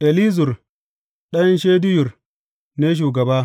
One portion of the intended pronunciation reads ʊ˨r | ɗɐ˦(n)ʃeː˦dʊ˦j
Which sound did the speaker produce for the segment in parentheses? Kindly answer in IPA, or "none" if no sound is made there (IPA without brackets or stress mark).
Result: n